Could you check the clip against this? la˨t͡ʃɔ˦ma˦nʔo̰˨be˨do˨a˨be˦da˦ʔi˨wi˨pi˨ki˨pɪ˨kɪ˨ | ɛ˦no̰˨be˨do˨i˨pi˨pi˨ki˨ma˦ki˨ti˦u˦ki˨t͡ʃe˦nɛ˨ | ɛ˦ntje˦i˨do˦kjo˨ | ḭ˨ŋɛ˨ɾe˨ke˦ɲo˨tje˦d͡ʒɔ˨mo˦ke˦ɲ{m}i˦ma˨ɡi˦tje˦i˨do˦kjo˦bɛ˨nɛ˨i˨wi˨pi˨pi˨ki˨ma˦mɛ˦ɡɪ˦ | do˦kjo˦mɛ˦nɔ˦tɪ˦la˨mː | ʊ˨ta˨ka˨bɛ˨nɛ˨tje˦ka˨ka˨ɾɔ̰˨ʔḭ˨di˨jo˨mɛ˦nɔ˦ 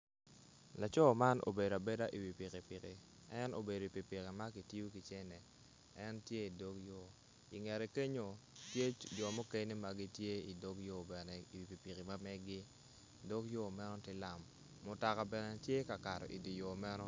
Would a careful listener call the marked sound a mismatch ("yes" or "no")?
yes